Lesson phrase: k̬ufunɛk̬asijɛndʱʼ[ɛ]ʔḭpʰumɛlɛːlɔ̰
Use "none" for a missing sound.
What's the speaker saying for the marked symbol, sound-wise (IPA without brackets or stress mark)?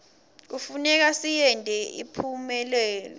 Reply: ɛ